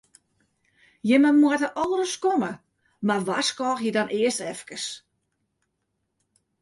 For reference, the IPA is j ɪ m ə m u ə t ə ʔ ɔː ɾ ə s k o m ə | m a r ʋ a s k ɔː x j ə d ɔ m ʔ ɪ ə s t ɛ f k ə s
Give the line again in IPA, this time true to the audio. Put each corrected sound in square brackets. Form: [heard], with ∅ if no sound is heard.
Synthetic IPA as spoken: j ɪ m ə m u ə t ə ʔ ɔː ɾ ə s k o m ə | m a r ʋ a s k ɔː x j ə d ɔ [n] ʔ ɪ ə s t ɛ f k ə s